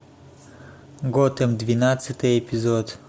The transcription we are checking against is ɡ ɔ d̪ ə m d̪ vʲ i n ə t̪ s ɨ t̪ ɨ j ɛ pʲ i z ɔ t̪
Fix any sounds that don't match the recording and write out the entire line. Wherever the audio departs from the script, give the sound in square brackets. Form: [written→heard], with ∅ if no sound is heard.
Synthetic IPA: ɡ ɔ [d̪→t̪] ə m d̪ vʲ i n [ə→a] t̪ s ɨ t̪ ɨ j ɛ pʲ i z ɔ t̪